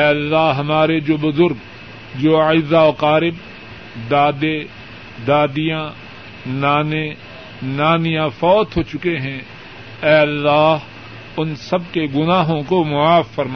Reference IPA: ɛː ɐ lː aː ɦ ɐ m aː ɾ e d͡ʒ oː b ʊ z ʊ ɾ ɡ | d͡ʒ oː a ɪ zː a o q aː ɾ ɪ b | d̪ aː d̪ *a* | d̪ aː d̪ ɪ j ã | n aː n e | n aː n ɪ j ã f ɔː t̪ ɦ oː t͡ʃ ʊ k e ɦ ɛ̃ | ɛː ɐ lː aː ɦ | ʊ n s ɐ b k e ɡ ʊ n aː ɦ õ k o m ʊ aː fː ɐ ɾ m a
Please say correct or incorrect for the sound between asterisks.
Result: incorrect